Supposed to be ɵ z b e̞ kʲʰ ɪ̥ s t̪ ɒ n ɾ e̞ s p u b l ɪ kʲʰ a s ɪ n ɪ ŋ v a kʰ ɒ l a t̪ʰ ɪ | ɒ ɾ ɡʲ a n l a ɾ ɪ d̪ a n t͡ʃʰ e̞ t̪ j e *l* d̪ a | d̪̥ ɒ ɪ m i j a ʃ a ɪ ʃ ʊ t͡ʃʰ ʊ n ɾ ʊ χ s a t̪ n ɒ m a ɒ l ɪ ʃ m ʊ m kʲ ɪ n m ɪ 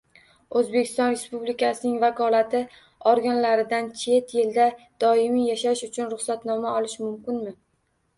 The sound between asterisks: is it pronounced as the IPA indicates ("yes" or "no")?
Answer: yes